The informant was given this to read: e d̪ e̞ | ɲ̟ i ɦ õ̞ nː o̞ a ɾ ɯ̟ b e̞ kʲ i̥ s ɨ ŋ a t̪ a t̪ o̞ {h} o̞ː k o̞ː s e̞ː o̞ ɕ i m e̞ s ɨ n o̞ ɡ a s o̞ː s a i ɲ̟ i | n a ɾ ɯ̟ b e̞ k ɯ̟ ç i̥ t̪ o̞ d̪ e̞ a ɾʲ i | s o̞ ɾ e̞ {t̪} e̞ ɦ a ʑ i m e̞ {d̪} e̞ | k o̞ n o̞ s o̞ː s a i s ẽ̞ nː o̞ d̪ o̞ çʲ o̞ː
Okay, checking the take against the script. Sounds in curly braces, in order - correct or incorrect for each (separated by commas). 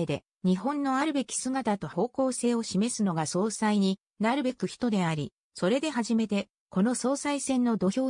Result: correct, incorrect, incorrect